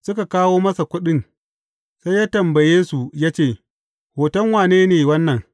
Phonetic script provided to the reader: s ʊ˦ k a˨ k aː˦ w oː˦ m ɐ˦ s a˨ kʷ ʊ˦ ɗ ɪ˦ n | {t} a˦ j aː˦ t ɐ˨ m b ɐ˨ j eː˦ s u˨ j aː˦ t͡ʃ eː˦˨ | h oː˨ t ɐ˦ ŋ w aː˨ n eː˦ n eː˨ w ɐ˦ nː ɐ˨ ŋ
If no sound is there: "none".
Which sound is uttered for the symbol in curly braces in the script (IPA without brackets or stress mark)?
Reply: s